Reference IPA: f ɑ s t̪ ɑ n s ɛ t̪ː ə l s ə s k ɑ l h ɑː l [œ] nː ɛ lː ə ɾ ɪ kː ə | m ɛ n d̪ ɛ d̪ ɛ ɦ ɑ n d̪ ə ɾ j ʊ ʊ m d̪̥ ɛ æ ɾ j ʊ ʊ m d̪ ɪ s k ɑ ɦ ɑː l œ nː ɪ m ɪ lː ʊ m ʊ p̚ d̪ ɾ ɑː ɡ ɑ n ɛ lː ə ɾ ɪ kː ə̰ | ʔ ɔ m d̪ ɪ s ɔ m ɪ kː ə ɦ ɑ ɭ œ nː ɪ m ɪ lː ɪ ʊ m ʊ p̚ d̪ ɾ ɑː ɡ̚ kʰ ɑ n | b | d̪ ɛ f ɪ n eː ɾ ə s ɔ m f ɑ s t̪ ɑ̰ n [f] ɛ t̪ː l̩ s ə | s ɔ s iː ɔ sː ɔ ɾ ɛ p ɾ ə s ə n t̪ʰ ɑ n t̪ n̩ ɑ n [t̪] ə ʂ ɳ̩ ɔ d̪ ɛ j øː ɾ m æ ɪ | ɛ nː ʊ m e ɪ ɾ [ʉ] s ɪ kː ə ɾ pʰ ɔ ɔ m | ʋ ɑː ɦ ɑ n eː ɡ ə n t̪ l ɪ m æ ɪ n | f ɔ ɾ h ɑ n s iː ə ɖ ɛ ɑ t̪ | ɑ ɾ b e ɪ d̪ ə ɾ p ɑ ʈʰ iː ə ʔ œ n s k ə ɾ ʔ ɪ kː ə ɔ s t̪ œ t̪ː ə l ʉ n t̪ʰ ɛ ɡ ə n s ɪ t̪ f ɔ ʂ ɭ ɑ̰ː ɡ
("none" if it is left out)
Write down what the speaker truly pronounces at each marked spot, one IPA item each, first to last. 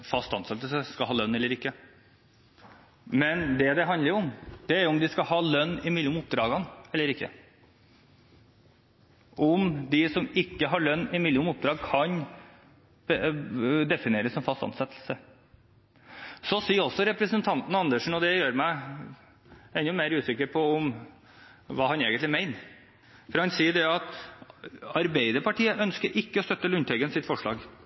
œ, s, d̪, ʉː

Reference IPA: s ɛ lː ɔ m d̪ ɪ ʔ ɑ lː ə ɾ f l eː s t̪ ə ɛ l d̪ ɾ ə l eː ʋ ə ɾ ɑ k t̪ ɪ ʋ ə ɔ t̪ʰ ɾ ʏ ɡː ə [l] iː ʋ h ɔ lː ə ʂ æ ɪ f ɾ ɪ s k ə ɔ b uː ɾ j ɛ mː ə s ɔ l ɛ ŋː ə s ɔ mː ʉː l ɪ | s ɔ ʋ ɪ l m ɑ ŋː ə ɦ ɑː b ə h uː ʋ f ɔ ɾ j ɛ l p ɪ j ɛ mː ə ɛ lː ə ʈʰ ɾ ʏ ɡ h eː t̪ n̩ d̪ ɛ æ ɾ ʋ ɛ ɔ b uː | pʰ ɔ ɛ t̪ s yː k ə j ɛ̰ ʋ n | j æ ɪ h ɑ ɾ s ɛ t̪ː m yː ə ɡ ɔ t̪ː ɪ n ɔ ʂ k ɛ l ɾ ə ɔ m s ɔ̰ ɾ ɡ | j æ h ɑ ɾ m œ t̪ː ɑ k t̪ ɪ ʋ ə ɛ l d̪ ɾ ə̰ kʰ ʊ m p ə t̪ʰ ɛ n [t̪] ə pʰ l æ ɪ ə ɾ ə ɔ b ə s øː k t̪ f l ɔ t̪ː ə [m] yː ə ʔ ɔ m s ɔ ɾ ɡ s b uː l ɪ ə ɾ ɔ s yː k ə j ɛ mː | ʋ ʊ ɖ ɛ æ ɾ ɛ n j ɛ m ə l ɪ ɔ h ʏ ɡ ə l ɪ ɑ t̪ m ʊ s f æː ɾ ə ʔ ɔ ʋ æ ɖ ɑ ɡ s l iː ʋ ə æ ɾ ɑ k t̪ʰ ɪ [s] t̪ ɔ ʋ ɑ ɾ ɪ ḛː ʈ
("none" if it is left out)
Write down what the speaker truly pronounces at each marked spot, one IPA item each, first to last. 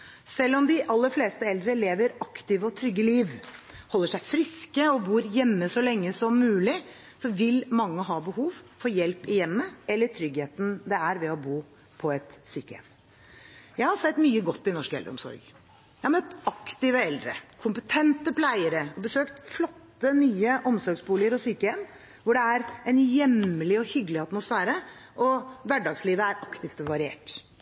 l, t̪, n, f

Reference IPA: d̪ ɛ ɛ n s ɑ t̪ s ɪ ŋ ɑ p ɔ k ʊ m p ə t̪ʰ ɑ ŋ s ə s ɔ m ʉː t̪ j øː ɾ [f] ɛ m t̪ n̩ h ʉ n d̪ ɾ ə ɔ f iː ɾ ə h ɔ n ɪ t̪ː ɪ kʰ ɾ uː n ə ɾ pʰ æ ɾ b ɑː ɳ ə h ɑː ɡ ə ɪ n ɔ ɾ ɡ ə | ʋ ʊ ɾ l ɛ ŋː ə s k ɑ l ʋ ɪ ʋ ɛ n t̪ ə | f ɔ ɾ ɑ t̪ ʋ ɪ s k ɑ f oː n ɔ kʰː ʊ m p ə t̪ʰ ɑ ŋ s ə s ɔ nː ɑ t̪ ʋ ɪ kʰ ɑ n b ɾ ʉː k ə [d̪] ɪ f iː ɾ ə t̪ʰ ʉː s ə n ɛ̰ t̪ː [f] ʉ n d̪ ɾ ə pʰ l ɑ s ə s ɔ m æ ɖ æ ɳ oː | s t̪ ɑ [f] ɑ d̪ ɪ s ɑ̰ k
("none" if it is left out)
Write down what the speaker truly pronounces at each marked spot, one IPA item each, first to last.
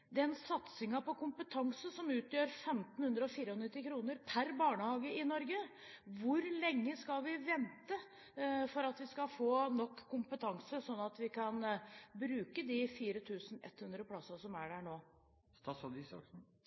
f, d̪, h, s

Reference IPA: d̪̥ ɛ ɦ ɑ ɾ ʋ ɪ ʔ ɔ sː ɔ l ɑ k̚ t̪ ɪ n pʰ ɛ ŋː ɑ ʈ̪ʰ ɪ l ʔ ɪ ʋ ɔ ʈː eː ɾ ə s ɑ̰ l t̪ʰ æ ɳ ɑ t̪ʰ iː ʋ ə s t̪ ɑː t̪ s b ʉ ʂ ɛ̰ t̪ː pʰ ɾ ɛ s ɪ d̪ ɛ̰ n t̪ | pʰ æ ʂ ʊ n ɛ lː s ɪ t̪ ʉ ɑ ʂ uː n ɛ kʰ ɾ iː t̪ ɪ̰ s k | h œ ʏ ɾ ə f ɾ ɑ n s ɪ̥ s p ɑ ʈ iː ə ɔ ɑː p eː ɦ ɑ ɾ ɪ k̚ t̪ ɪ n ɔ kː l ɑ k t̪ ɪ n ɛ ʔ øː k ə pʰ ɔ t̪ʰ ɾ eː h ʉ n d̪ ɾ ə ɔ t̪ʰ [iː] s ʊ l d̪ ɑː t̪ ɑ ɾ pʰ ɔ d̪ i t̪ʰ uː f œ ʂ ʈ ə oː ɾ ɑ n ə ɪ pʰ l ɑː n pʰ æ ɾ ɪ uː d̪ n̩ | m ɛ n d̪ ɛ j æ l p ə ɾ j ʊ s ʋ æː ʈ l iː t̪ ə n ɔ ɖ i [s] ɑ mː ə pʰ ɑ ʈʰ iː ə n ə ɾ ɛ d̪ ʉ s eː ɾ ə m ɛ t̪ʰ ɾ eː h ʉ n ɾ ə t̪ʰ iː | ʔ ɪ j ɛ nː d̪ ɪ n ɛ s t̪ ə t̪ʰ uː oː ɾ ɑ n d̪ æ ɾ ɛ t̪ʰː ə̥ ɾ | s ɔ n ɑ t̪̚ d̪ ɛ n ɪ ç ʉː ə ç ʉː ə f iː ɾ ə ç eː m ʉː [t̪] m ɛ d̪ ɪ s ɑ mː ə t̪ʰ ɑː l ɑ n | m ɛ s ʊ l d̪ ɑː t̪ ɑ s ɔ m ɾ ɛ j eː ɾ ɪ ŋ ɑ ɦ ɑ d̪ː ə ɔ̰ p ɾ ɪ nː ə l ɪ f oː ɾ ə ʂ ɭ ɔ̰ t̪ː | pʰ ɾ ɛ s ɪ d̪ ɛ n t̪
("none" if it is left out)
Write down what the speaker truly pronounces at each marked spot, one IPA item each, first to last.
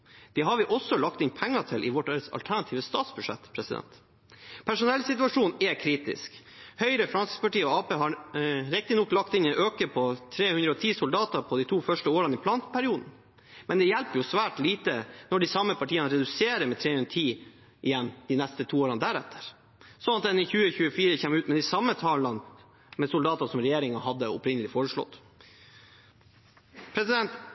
iː, s, t̪

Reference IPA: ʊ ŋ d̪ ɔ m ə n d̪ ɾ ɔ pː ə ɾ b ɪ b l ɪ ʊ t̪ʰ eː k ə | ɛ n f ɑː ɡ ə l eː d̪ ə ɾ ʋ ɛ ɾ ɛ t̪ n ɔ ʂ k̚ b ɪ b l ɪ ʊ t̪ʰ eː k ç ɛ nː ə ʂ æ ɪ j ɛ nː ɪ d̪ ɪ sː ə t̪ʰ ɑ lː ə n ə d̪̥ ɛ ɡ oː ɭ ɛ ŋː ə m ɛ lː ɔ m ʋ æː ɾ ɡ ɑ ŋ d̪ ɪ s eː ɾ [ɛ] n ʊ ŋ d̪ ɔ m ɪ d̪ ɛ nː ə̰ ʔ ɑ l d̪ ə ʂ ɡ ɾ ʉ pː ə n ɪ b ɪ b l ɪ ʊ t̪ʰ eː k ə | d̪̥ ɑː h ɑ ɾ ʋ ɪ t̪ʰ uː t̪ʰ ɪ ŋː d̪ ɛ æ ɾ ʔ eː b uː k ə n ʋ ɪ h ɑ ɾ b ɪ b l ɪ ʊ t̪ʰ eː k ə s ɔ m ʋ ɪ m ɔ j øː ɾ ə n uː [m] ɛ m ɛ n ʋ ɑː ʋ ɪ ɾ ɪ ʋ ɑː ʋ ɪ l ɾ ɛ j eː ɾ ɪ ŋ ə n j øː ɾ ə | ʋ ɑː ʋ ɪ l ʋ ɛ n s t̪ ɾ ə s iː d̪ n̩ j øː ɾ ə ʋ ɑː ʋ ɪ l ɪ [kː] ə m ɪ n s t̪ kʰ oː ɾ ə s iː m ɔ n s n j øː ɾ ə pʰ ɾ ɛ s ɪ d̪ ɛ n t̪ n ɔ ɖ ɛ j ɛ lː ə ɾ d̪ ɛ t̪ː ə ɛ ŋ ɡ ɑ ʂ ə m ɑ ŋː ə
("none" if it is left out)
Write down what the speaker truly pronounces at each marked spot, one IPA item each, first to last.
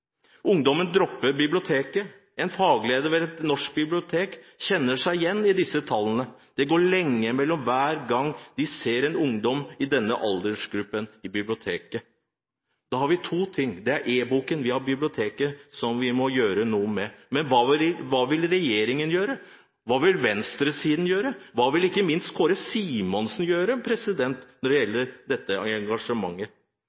ɛ, m, kː

